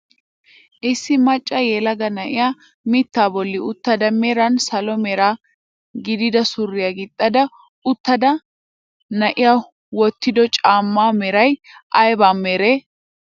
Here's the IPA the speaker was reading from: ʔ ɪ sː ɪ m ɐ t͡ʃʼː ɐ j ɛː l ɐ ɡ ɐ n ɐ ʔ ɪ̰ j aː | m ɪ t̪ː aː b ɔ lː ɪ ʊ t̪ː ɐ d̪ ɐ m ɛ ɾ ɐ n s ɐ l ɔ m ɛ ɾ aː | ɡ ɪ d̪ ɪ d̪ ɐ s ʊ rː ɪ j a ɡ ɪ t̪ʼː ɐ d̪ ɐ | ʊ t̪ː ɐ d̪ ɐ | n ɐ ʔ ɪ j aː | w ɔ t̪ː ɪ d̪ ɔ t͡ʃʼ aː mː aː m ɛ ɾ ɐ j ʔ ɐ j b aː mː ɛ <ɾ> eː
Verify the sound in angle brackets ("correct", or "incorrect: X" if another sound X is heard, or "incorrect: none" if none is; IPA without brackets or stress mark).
correct